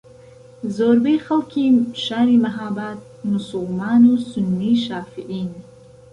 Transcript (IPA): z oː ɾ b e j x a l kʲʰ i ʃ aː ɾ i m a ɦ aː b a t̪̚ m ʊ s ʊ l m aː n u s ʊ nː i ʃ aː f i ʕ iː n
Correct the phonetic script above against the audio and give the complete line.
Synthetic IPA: z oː ɾ b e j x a l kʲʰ i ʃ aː ɾ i m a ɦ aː b a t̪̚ m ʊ s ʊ l m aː n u s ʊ nː i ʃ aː f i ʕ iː n